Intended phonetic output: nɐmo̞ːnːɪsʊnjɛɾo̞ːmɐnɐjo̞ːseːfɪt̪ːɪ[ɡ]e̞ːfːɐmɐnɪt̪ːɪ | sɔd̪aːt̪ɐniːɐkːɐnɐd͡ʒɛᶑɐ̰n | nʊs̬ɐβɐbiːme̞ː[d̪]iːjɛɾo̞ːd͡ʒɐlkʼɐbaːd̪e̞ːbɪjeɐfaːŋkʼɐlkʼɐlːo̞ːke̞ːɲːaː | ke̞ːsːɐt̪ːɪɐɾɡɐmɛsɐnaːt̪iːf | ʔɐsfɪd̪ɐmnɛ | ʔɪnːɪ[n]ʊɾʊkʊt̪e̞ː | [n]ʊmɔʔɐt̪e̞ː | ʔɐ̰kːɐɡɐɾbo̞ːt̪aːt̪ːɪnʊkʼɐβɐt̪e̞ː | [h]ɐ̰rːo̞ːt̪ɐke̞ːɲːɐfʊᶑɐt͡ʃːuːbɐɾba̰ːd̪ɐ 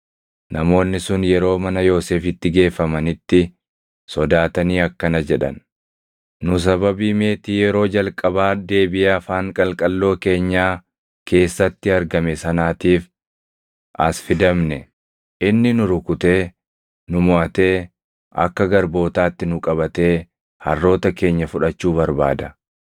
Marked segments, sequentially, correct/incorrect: correct, incorrect, correct, correct, correct

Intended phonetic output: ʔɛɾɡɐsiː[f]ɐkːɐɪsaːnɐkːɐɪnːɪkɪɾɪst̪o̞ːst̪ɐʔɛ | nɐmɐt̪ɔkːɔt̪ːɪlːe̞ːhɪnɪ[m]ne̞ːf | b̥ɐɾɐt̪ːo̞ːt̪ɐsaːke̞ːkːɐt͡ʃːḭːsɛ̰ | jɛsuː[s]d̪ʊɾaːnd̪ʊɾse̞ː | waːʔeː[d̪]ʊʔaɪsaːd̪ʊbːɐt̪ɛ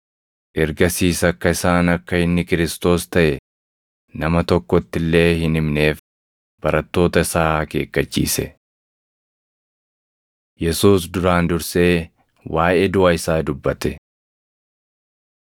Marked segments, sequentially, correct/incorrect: incorrect, correct, correct, correct

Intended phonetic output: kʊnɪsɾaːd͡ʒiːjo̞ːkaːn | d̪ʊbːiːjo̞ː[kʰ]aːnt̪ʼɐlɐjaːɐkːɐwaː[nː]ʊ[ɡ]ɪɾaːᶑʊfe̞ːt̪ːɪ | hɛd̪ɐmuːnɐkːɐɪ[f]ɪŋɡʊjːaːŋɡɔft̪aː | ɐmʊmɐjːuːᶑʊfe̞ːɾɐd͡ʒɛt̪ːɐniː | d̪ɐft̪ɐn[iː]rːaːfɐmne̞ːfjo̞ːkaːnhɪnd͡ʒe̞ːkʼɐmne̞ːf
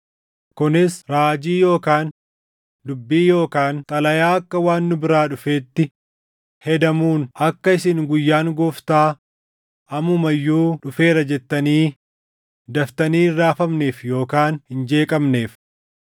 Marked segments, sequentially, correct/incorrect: incorrect, correct, incorrect, incorrect, correct

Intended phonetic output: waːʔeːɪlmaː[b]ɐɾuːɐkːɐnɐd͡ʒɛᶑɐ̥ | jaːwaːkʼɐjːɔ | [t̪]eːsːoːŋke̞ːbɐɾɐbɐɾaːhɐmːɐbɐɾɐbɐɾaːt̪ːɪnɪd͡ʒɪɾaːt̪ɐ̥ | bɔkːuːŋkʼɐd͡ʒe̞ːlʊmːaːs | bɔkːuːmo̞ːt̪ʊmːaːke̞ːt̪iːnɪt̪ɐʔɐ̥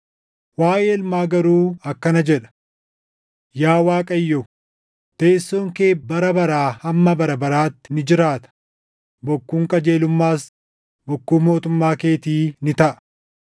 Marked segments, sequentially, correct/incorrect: incorrect, correct

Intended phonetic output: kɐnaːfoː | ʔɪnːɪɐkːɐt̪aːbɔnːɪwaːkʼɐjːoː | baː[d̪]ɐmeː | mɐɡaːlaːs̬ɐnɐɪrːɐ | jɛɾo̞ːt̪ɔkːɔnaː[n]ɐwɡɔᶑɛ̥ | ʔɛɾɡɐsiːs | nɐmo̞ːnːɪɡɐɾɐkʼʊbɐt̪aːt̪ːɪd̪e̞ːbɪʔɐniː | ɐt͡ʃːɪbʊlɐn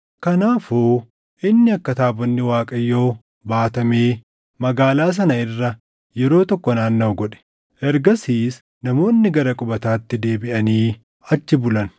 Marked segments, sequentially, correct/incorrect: incorrect, incorrect

